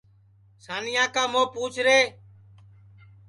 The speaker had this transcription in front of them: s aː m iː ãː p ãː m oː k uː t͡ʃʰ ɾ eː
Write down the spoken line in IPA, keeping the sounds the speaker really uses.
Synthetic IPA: s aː n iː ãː k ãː m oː p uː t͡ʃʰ ɾ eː